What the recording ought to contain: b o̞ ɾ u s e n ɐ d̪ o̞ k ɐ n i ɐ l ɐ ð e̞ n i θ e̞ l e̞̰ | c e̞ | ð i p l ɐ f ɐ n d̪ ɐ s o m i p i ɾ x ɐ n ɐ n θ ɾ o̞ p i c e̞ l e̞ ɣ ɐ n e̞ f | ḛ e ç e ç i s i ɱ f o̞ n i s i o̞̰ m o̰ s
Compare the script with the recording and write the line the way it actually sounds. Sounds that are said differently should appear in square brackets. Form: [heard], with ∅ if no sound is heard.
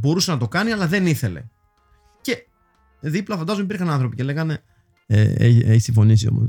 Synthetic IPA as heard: b o̞ ɾ u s e n ɐ [t̪] o̞ k ɐ n i ɐ l ɐ ð e̞ n i θ e̞ l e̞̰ | c e̞ | ð i p l ɐ f ɐ n d̪ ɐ [z] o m i p i ɾ x ɐ n ɐ n θ ɾ o̞ p i c e̞ l e̞ ɣ ɐ n e̞ [∅] | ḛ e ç e ç i s i ɱ f o̞ n i s i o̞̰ m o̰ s